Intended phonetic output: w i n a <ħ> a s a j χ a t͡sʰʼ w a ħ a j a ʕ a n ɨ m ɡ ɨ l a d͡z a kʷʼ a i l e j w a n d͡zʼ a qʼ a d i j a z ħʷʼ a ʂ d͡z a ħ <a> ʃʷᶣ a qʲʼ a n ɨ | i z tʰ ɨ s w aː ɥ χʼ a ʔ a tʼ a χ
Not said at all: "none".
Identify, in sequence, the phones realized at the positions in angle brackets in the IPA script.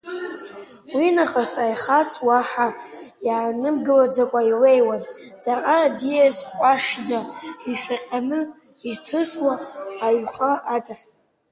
χ, i

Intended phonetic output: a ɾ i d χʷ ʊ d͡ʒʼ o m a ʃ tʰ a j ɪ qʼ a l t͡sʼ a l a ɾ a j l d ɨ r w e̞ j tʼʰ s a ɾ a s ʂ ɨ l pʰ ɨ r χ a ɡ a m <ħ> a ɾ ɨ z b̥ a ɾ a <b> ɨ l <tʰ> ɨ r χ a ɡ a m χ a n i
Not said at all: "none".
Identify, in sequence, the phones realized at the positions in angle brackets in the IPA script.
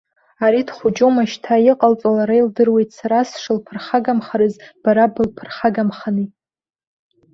χ, b, pʰ

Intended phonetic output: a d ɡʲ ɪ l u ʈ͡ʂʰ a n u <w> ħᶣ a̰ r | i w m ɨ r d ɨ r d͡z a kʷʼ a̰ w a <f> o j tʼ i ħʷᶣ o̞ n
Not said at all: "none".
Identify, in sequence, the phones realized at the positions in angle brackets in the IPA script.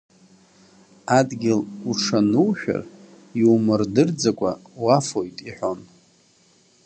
w, f

